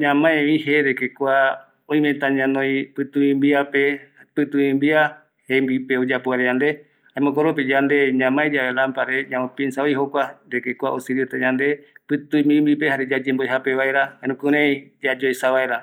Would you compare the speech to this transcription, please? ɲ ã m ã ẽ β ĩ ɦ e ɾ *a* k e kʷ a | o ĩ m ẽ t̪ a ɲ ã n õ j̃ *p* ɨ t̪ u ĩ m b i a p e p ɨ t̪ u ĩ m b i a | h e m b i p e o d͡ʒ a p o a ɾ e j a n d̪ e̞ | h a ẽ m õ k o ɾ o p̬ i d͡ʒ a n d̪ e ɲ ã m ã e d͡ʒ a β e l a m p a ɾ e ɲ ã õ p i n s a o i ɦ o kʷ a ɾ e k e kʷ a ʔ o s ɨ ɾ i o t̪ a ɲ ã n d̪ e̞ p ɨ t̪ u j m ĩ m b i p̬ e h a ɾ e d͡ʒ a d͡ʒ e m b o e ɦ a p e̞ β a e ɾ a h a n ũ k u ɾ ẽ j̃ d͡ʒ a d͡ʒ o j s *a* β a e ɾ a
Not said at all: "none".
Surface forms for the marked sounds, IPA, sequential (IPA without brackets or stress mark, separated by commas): e, p, a